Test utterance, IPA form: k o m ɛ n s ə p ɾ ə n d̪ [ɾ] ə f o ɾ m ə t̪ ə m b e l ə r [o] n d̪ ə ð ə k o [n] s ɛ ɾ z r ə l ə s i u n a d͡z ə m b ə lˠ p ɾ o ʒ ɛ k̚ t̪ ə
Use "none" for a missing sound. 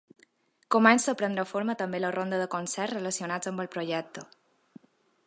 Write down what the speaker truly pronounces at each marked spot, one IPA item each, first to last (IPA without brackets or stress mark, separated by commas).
ɾ, o, n